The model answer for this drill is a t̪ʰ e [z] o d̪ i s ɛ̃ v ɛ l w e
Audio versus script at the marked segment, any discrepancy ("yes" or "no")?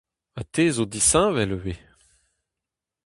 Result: no